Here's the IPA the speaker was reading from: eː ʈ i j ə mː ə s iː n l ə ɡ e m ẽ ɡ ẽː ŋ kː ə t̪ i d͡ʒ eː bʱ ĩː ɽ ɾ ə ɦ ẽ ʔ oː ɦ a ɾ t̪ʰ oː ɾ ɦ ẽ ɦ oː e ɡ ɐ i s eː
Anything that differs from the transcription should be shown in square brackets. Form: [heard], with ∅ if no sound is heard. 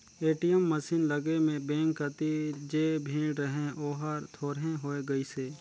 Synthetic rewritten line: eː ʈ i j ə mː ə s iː n l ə ɡ e m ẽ [b] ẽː ŋ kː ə t̪ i d͡ʒ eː bʱ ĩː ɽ ɾ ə ɦ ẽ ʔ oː ɦ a ɾ t̪ʰ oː ɾ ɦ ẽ ɦ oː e ɡ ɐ i s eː